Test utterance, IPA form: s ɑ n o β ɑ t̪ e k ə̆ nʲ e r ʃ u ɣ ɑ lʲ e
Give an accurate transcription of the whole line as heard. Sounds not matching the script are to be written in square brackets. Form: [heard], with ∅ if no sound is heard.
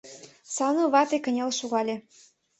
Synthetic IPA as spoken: s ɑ n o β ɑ t̪ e k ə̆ nʲ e [l] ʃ u ɣ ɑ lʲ e